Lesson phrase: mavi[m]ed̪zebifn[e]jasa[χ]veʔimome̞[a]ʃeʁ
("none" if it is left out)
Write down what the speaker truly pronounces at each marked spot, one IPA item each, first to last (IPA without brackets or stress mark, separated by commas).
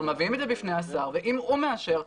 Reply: m, e, ʁ, a